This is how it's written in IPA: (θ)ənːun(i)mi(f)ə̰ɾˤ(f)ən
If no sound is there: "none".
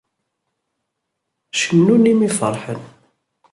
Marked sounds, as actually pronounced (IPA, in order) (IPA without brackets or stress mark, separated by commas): ʃ, i, f, ħ